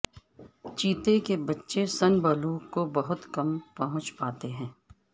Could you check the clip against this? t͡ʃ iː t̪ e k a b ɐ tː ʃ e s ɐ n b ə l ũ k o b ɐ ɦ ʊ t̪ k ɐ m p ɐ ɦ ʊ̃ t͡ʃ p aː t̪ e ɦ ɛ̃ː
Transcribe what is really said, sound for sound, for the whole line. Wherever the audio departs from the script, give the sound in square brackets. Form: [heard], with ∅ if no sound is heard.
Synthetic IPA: t͡ʃ iː t̪ e k [e] b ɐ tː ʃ e s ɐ n b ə l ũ k o b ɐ ɦ ʊ t̪ k ɐ m p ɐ ɦ ʊ̃ t͡ʃ p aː t̪ e ɦ ɛ̃ː